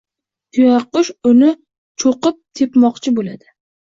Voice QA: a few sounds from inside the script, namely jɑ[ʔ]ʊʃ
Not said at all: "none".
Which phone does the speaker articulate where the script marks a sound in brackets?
q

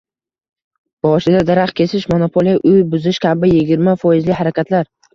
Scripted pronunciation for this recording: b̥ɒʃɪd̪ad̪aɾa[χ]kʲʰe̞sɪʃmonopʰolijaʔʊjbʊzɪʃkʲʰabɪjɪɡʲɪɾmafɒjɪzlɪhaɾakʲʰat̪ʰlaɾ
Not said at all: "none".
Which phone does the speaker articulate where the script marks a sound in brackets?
χ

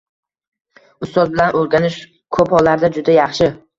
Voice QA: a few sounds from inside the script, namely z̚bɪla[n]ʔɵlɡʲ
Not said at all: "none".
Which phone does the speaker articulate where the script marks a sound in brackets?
n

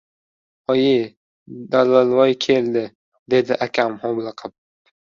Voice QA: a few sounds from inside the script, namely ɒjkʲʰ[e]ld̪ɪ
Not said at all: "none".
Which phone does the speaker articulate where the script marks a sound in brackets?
e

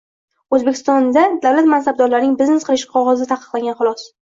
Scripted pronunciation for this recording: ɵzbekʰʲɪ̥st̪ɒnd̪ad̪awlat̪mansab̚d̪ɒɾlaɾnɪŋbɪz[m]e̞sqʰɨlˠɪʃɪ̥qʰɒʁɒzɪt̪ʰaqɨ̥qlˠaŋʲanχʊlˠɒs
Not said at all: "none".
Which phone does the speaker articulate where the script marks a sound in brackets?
n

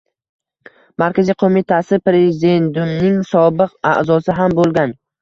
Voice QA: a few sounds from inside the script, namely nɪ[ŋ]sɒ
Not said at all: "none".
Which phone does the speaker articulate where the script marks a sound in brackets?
ŋ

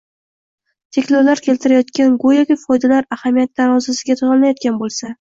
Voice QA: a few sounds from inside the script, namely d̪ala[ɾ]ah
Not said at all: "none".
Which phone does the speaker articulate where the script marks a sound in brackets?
ɾ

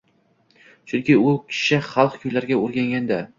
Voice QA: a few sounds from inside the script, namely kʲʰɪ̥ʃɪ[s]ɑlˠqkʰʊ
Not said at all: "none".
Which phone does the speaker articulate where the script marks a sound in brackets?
χ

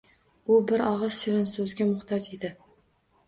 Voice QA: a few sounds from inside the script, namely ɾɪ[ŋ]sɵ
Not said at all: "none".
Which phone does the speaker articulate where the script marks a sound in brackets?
n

